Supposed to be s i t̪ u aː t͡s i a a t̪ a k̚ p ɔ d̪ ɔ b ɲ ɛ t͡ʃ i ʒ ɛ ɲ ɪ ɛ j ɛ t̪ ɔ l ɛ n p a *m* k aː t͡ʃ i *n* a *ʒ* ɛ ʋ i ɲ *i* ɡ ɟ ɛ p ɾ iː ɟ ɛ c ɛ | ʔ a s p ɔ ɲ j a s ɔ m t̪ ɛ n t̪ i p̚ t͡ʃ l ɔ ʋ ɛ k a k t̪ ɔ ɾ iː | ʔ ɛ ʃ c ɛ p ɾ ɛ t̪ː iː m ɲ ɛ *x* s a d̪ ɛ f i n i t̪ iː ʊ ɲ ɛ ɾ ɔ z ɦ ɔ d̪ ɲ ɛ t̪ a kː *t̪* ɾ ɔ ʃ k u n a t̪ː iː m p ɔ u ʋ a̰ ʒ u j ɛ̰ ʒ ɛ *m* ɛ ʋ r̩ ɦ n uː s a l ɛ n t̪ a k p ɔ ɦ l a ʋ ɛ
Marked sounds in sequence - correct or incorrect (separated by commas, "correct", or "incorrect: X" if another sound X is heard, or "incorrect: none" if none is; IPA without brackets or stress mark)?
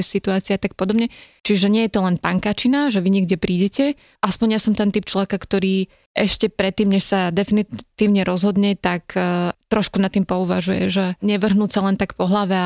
incorrect: ŋ, correct, correct, incorrect: ɛ, incorrect: ʃ, correct, incorrect: ɲ